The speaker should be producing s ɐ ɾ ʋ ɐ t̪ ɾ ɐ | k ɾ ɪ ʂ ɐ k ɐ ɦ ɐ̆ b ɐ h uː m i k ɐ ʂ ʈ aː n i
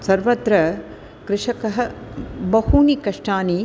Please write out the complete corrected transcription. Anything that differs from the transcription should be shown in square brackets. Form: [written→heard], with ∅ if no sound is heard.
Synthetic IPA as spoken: s ɐ ɾ ʋ ɐ t̪ ɾ ɐ | k ɾ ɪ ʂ ɐ k ɐ ɦ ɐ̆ b ɐ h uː [m→n] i k ɐ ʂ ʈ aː n i